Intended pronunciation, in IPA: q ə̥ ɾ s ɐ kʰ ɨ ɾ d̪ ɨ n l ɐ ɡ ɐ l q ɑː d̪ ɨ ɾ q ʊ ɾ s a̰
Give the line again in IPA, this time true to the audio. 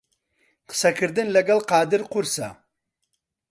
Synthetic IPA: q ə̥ s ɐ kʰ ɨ ɾ d̪ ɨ n l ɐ ɡ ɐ l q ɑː d̪ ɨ ɾ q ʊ ɾ s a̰

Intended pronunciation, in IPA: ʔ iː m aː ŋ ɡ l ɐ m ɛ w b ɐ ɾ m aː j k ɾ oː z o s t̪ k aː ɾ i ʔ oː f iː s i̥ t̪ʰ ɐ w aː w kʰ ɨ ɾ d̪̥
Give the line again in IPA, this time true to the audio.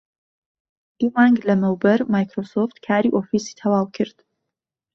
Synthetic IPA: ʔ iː m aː ŋ ɡ l ɐ m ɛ w b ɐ ɾ m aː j k ɾ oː s o f t̪ kʰ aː ɾ i ʔ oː f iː s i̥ t̪ʰ ɐ w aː w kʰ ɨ ɾ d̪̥

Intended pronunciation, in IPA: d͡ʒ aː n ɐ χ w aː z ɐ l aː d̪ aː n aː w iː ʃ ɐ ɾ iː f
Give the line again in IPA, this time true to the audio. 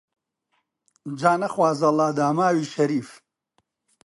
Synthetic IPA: d͡ʒ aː n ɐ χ w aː z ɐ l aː d̪ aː m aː w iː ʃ ɐ ɾ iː f

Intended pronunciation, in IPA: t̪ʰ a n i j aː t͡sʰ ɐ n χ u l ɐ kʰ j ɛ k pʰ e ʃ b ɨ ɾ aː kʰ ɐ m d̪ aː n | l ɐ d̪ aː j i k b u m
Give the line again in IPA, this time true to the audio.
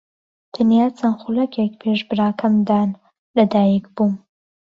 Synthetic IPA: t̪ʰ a n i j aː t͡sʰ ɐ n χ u l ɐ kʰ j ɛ k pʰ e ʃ b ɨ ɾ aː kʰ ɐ m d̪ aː n | l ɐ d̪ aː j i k b u m

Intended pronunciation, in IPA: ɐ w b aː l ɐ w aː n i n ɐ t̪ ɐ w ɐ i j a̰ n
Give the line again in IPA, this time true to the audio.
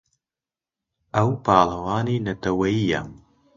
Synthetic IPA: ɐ w p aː l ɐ w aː n i n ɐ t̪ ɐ w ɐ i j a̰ m

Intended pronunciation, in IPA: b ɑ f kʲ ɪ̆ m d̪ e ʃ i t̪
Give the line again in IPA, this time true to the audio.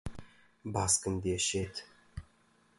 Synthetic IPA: b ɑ s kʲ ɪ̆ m d̪ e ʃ e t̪

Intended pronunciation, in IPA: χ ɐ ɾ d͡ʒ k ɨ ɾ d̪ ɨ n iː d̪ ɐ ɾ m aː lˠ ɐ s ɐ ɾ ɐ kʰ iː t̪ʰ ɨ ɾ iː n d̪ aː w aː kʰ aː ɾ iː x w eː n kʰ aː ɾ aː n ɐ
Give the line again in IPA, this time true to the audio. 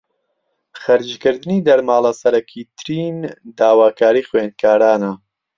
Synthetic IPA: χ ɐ ɾ d͡ʒ k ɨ ɾ d̪ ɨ n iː d̪ ɐ ɾ m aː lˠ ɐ s ɐ ɾ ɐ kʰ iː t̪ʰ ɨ ɾ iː n d̪ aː w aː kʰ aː ɾ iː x w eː n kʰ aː ɾ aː n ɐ

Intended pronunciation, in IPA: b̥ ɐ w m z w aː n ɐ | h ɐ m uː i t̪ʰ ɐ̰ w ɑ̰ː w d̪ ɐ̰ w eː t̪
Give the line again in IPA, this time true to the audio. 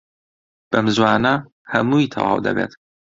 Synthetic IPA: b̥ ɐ m z w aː n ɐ | h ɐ m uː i t̪ʰ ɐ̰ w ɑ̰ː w d̪ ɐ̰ b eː t̪

